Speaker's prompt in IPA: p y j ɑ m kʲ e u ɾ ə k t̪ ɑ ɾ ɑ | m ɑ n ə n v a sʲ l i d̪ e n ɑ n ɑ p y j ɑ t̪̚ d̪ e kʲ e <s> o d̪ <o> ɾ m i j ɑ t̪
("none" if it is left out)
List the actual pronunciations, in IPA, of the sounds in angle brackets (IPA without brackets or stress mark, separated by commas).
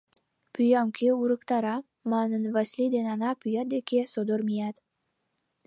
s, o